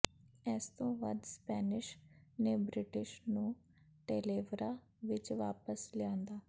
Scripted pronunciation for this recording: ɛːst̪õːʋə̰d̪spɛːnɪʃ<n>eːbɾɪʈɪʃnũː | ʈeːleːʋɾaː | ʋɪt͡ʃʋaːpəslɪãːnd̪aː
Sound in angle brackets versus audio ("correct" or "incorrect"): correct